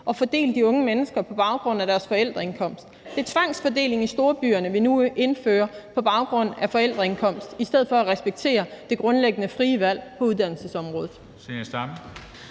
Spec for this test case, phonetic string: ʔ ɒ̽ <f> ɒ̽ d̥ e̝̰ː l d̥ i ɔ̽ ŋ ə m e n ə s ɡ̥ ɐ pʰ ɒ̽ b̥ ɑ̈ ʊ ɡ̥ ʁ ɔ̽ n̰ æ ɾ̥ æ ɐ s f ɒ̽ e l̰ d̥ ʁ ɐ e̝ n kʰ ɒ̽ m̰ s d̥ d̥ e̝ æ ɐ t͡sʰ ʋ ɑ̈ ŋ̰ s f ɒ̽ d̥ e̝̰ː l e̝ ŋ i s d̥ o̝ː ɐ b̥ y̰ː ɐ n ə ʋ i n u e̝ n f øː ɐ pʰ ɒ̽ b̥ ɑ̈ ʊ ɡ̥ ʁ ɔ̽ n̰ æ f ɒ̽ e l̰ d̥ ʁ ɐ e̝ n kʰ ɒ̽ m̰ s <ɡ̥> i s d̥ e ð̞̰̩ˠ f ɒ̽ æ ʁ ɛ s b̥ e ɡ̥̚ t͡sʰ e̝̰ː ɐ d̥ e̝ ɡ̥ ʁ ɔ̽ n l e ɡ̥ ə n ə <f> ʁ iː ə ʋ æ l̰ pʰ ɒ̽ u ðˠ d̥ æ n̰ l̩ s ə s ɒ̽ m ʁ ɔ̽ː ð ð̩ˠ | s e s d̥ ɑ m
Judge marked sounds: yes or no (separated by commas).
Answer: yes, no, yes